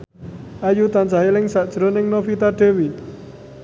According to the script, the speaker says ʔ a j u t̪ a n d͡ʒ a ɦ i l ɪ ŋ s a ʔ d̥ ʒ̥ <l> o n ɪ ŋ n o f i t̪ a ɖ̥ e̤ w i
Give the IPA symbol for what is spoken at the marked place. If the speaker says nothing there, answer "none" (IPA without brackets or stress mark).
ɾ